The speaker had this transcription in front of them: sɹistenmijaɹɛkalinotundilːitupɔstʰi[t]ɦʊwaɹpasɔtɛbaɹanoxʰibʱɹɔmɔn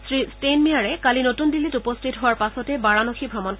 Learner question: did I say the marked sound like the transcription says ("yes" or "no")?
yes